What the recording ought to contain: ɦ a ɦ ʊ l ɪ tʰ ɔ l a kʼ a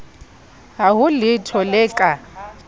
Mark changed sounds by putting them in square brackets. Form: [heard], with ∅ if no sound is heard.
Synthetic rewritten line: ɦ a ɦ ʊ l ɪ tʰ ɔ l [ɛ] kʼ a